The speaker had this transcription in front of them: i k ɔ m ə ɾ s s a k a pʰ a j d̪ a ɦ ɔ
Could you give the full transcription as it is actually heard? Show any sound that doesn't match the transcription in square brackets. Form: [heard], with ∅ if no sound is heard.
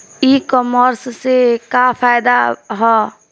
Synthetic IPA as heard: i k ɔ m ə ɾ s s [e] k a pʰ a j d̪ a ɦ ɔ